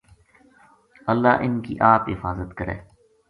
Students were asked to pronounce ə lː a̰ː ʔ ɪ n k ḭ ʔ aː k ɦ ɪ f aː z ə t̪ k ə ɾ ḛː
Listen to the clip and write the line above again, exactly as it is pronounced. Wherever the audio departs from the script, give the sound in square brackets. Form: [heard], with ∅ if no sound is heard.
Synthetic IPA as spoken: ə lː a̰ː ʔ ɪ n k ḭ ʔ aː [p] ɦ ɪ f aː z ə t̪ k ə ɾ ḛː